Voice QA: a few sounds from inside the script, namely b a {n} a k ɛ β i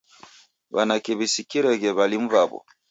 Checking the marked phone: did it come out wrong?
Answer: no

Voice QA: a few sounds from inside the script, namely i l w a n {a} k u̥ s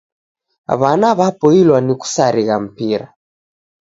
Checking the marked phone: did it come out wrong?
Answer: yes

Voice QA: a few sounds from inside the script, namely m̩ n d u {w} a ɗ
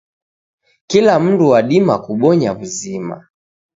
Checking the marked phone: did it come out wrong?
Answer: no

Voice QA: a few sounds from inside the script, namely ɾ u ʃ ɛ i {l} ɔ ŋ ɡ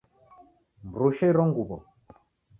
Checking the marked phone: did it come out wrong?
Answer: yes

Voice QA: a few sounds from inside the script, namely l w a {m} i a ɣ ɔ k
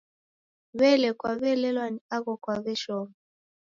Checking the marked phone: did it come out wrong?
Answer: yes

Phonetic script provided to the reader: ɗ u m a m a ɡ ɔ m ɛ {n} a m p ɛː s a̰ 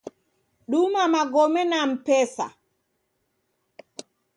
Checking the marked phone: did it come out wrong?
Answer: no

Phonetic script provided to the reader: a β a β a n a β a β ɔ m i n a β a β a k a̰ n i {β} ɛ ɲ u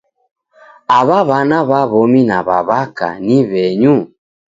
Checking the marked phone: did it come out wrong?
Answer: no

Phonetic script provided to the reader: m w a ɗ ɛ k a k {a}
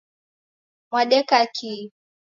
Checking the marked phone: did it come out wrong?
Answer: yes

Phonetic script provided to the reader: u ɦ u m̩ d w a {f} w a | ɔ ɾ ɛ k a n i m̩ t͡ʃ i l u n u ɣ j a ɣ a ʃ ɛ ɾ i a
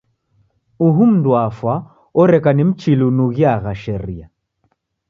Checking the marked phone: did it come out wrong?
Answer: no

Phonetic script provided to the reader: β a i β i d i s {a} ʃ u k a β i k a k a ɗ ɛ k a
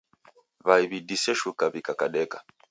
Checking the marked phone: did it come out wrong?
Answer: yes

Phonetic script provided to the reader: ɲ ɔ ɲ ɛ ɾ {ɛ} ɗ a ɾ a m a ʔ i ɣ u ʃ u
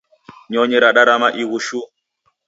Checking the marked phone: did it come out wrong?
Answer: yes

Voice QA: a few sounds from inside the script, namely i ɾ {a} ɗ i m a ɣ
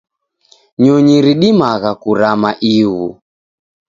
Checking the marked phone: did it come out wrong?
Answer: yes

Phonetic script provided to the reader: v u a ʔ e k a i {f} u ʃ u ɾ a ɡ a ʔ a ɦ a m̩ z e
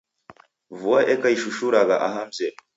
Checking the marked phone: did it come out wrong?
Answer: yes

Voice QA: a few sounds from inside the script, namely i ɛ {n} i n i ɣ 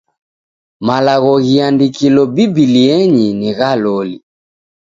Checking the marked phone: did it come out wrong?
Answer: yes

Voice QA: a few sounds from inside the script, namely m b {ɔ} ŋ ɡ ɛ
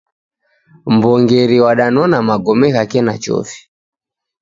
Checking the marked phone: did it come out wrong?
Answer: no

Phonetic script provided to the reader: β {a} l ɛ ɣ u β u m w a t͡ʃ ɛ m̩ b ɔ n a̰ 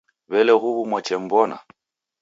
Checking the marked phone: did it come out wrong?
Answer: yes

